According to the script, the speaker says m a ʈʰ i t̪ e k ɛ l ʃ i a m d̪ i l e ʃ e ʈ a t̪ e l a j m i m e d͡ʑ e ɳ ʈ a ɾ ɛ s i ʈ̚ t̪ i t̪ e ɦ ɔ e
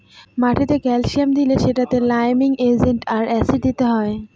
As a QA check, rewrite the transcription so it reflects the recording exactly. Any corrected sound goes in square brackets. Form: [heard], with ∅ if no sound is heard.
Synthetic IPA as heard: m a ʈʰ i t̪ e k ɛ l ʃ i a m d̪ i l e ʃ e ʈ a t̪ e l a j m i [ŋ] e d͡ʑ e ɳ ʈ a ɾ ɛ s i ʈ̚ [d̪] i t̪ e ɦ ɔ e